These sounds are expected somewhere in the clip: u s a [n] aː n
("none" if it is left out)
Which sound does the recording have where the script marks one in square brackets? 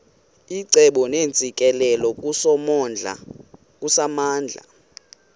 m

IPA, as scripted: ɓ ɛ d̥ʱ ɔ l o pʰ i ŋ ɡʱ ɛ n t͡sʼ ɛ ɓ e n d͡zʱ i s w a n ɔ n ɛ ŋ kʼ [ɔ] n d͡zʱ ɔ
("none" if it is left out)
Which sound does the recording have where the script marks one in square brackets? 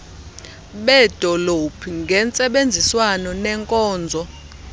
ɔː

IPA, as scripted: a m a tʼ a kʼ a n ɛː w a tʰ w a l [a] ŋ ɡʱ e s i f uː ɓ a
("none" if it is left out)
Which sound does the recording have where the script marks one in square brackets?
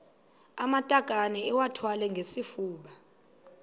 ɛ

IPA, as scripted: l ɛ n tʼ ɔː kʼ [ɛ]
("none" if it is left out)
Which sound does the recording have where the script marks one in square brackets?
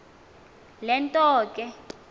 ɛ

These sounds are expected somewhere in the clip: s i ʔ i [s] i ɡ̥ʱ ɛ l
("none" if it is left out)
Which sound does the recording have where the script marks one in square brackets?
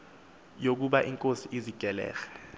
z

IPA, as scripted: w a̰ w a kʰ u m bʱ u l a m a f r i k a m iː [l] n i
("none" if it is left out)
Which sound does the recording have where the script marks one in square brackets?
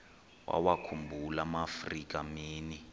none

